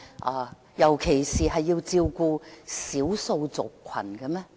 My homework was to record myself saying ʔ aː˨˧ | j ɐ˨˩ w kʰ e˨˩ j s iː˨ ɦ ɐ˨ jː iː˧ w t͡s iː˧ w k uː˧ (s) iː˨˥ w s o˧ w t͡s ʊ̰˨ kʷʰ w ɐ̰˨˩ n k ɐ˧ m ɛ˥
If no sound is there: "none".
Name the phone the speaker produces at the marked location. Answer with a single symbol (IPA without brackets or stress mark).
s